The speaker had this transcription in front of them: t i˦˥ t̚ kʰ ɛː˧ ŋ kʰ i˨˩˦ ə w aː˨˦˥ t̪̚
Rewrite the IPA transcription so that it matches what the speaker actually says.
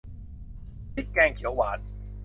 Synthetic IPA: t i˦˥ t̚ k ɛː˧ ŋ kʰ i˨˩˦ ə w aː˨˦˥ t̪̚